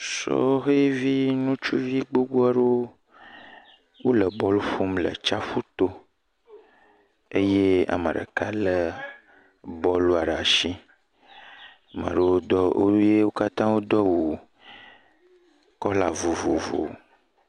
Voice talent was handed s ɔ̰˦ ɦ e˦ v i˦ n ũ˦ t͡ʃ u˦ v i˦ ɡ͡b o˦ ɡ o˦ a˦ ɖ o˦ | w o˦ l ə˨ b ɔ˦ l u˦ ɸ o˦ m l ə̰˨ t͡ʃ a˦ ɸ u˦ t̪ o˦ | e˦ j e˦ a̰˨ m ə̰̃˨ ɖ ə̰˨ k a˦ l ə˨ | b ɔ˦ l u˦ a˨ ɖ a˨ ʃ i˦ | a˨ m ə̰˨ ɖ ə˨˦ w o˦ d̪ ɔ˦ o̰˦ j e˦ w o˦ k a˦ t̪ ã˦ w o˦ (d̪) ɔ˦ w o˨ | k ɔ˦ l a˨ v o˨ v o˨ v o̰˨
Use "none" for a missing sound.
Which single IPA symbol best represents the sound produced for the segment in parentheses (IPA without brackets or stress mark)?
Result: d̪